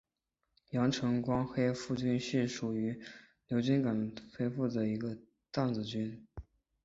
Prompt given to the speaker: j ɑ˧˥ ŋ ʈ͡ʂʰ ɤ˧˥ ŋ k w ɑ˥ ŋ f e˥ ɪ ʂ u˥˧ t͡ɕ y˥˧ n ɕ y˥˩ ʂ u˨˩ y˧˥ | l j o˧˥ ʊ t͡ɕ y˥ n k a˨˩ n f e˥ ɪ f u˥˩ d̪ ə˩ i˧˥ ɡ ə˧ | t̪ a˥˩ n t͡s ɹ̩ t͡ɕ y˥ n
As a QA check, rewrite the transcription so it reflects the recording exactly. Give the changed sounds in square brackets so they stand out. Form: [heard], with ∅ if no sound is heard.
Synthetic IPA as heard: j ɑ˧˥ ŋ ʈ͡ʂʰ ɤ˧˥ ŋ k w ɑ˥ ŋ [x] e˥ ɪ [f] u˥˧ t͡ɕ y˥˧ n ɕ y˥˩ ʂ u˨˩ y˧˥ | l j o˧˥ ʊ t͡ɕ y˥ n k a˨˩ n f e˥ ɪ f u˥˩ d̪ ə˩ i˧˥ ɡ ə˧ | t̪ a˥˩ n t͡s ɹ̩ t͡ɕ y˥ n